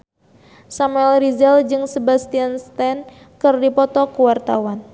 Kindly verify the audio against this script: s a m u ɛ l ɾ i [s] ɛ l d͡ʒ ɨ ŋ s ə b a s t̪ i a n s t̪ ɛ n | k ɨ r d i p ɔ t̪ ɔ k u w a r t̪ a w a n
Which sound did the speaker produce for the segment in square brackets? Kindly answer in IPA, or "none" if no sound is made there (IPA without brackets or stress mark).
z